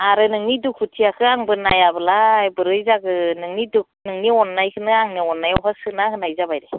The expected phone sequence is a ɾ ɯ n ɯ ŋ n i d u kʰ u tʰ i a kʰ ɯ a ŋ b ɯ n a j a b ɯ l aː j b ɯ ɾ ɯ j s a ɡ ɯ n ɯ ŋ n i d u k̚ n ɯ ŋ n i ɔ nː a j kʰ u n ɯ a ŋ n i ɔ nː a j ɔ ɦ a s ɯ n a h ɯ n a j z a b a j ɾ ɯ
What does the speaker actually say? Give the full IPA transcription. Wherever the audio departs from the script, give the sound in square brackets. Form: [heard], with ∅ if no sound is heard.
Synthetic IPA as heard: a ɾ ɯ n ɯ ŋ n i d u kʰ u tʰ i a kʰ ɯ a ŋ b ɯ n a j a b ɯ l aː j b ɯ ɾ ɯ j [z] a ɡ ɯ n ɯ ŋ n i d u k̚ n ɯ ŋ n i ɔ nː a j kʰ [ɯ] n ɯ a ŋ n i ɔ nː a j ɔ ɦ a s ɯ n a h ɯ n a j z a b a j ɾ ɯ

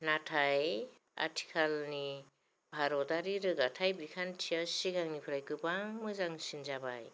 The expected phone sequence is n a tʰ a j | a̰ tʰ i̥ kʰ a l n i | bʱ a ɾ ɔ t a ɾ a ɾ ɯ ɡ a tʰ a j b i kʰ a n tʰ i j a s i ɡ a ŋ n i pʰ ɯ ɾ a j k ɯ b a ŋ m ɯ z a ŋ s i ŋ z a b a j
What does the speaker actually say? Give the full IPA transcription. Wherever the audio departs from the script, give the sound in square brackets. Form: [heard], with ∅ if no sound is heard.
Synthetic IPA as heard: n a tʰ a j | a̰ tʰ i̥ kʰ a l n i | bʱ a ɾ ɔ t a ɾ [i] ɾ ɯ ɡ a tʰ a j b i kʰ a n tʰ i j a s i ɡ a ŋ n i pʰ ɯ ɾ a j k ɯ b a ŋ m ɯ z a ŋ s i [n] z a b a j

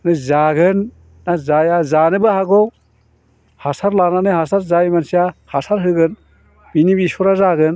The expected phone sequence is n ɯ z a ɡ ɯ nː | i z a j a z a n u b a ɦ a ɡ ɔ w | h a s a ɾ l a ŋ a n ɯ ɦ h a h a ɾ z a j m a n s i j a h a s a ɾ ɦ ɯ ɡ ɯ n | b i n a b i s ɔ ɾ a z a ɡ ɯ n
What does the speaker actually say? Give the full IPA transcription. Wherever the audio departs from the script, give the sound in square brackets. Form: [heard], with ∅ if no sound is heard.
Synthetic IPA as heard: n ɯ z a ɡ ɯ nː | [a] z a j a z a n [ɯ] b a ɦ a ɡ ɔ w | h a s a ɾ l a [n] a n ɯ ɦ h a [s] a ɾ z a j m a n s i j a h a s a ɾ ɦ ɯ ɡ ɯ n | b i n [i] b i s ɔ ɾ a z a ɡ ɯ n

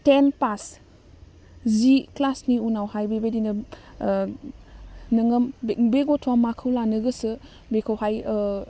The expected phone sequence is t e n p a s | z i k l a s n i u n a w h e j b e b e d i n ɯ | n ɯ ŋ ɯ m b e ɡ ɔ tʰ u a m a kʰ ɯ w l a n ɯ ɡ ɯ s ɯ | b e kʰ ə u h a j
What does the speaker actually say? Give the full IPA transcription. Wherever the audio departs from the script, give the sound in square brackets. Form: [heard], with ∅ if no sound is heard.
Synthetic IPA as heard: t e n p a s | z i k l a s n i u n a w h [a] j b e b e d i n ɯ | n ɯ ŋ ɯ m b e ɡ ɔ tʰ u a m a kʰ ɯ w l a n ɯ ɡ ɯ s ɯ | b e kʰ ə [w] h a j

